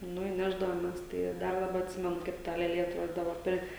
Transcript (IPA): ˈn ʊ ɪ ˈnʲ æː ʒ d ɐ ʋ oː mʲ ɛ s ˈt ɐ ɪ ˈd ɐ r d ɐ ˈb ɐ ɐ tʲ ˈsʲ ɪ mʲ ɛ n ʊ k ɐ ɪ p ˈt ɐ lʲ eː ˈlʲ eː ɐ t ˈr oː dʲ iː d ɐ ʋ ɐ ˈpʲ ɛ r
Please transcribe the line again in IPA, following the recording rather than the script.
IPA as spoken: ˈn ʊ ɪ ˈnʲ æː ʒ d ɐ ʋ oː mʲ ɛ s ˈt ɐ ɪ ˈd ɐ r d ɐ ˈb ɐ ɐ tʲ ˈsʲ ɪ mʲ ɛ n ʊ k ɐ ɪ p ˈt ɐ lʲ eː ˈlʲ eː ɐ t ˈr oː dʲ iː d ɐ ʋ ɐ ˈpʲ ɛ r

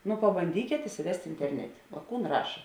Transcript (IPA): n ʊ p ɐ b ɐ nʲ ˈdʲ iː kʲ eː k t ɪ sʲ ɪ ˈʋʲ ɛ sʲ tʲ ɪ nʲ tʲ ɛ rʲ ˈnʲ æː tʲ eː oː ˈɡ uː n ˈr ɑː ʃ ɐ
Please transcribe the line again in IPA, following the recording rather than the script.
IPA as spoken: n ʊ p ɐ b ɐ nʲ ˈdʲ iː kʲ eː t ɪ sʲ ɪ ˈʋʲ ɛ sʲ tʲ ɪ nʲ tʲ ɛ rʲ ˈnʲ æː tʲ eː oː ˈk uː n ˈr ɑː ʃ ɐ

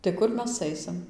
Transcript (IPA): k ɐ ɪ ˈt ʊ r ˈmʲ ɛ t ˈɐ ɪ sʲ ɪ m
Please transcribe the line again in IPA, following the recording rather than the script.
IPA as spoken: t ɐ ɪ ˈk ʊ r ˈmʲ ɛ s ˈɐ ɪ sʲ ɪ m

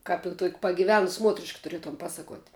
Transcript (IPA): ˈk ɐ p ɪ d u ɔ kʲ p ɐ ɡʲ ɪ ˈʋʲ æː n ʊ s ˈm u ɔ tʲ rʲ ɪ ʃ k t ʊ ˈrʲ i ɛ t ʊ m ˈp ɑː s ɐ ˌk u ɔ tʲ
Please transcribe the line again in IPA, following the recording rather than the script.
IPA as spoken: ˈk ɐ p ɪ t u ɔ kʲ p ɐ ɡʲ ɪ ˈʋʲ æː n ʊ s ˈm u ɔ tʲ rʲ ɪ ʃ k t ʊ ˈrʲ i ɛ t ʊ m ˈp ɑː s ɐ ˌk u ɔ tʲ

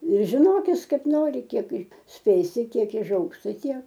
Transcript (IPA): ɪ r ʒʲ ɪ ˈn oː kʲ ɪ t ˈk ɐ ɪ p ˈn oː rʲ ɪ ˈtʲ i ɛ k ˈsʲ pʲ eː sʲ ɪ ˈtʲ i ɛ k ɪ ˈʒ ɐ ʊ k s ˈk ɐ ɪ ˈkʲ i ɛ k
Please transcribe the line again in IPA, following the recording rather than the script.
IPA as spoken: ɪ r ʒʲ ɪ ˈn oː kʲ ɪ s ˈk ɐ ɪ p ˈn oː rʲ ɪ ˈkʲ i ɛ k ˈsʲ pʲ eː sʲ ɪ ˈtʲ i ɛ k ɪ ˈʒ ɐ ʊ k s ˈt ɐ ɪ ˈtʲ i ɛ k

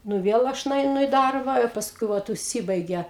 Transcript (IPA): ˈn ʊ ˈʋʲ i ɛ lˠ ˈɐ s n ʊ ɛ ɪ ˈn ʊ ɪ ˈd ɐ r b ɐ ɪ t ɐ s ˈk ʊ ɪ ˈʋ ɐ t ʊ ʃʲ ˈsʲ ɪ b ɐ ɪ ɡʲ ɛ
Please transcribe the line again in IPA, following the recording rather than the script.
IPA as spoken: ˈn ʊ ˈʋʲ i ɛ lˠ ˈɐ ʃ n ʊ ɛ ɪ ˈn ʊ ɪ ˈd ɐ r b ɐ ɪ p ɐ s ˈk ʊ ɪ ˈʋ ɐ t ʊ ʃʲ ˈsʲ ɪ b ɐ ɪ ɡʲ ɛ

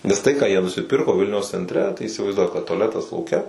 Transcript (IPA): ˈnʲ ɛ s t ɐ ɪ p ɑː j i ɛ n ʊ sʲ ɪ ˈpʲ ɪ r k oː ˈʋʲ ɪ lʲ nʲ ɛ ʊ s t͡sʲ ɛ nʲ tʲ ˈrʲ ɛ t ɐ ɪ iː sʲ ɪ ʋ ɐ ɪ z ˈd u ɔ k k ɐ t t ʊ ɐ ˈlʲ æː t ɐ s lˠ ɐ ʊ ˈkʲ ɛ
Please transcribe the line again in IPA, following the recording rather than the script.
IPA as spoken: ˈnʲ ɛ s t ɐ ɪ k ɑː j i ɛ n ʊ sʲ ɪ ˈpʲ ɪ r k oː ˈʋʲ ɪ lʲ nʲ ɛ ʊ s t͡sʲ ɛ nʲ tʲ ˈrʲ ɛ t ɐ ɪ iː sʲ ɪ ʋ ɐ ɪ z ˈd u ɔ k k ɐ t t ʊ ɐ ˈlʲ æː t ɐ s lˠ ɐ ʊ ˈkʲ ɛ

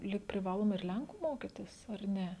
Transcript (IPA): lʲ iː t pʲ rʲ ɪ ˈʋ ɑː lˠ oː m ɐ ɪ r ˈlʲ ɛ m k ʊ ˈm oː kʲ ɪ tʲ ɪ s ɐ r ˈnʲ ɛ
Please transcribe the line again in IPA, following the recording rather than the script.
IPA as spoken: lʲ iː k pʲ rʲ ɪ ˈʋ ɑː lˠ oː m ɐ ɪ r ˈlʲ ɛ ŋ k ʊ ˈm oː kʲ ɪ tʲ ɪ s ɐ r ˈnʲ ɛ

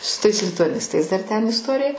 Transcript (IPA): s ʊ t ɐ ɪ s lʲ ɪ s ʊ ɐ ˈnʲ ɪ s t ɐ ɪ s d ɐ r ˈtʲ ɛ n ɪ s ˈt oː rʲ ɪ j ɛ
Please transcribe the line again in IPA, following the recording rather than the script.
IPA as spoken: s ʊ t ɐ ɪ s lʲ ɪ t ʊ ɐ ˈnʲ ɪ s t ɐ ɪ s d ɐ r ˈtʲ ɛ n ɪ s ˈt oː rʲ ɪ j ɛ

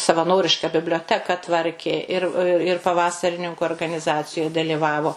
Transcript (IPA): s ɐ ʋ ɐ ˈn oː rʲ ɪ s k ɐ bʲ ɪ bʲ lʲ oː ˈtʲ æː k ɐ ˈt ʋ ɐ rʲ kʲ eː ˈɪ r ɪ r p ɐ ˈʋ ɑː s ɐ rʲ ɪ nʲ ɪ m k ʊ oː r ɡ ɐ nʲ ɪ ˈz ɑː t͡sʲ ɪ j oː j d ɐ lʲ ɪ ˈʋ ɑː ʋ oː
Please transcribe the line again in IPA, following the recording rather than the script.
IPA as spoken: s ɐ ʋ ɐ ˈn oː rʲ ɪ ʃ k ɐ bʲ ɪ bʲ lʲ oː ˈtʲ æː k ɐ ˈt ʋ ɐ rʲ kʲ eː ˈɪ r ɪ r p ɐ ˈʋ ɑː s ɐ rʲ ɪ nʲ ɪ ŋ k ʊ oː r ɡ ɐ nʲ ɪ ˈz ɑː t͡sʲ ɪ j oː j d ɐ lʲ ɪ ˈʋ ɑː ʋ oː

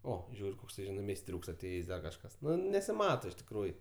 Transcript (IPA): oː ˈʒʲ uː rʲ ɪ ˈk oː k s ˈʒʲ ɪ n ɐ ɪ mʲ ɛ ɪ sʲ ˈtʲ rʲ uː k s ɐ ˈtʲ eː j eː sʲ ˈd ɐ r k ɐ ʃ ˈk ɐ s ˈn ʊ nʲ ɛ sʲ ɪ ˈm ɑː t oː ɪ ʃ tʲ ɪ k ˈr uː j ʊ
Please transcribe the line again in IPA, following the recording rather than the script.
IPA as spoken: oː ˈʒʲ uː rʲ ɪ ˈk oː k s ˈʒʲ ɪ n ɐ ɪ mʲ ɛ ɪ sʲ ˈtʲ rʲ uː k s ɐ ˈtʲ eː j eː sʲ ˈd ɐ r k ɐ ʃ ˈk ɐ s ˈn ʊ nʲ ɛ sʲ ɪ ˈm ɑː t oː ɪ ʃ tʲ ɪ k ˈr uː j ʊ

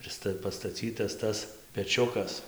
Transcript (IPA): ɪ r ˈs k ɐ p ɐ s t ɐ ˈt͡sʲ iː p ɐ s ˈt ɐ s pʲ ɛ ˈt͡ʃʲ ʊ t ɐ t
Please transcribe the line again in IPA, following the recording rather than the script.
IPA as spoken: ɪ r ˈs t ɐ p ɐ s t ɐ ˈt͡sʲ iː t ɐ s ˈt ɐ s pʲ ɛ ˈt͡ʃʲ ʊ k ɐ s

